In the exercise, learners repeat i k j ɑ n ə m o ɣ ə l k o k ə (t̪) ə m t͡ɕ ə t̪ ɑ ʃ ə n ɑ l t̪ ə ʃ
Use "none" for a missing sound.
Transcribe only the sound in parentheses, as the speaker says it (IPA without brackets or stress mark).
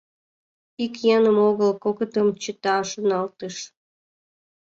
t̪